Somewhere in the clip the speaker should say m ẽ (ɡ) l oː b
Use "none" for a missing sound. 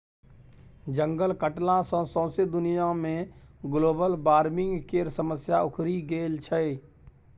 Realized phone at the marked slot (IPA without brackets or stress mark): ɡ